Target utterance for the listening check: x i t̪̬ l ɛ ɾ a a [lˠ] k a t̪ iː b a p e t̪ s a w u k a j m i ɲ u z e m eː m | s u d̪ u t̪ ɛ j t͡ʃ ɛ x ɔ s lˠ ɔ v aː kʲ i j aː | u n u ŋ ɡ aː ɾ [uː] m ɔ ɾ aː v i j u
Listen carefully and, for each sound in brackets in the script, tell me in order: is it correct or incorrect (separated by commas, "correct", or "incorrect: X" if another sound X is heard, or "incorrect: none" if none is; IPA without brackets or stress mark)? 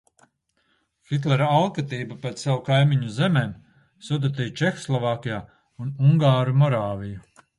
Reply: correct, incorrect: u